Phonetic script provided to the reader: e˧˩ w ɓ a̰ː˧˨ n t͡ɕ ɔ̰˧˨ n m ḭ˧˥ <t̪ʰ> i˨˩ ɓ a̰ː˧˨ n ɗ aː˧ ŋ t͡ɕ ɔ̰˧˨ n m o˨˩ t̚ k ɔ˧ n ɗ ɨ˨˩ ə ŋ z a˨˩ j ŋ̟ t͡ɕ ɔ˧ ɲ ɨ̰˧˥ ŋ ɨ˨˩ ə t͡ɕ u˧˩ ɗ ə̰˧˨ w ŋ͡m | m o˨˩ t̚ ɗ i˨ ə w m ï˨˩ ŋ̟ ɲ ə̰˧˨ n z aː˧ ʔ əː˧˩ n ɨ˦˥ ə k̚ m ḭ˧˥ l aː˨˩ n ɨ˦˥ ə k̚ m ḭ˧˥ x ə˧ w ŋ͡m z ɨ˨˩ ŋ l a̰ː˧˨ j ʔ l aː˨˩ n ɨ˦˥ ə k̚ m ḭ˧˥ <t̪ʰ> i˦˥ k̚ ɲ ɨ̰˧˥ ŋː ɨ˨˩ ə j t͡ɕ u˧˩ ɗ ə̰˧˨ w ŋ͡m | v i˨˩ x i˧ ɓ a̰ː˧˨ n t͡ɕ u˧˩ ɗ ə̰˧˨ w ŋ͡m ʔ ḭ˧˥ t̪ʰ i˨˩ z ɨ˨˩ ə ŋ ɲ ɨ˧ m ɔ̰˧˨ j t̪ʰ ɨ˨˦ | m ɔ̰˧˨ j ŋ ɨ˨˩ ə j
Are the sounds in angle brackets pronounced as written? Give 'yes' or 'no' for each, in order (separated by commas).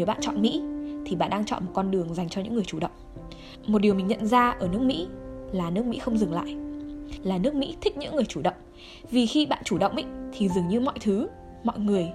yes, yes